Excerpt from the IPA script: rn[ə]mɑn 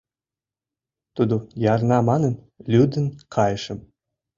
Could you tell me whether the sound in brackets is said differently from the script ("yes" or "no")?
yes